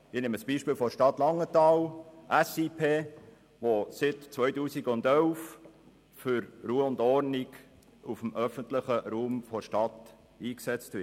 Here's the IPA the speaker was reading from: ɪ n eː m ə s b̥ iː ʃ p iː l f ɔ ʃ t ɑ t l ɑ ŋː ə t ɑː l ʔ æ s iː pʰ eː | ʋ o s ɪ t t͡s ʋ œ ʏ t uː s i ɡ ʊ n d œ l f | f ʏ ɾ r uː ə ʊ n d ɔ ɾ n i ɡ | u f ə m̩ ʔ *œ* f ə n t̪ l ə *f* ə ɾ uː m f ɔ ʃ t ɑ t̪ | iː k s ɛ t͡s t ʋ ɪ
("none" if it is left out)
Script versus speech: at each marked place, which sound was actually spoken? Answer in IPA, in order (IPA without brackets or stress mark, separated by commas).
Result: œ, χ